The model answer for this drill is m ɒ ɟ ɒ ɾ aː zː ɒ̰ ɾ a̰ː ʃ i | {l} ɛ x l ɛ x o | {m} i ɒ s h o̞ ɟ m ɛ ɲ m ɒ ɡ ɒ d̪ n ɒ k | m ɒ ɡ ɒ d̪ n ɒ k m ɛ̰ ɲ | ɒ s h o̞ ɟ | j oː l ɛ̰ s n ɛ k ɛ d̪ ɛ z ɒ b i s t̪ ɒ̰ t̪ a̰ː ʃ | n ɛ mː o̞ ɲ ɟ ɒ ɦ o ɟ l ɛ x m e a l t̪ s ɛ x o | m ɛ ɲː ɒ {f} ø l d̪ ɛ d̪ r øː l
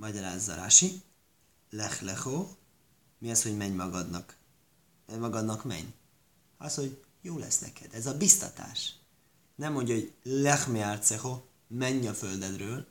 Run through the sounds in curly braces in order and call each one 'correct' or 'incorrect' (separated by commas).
correct, correct, correct